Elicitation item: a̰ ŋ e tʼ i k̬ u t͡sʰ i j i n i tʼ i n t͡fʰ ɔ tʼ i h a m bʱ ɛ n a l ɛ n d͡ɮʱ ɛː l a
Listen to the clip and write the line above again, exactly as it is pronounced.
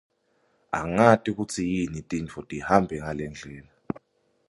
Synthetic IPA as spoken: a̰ ŋ a tʼ i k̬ u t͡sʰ i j i n i tʼ i n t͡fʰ ɔ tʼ i h a m bʱ ɛ ŋ a l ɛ n d͡ɮʱ ɛː l a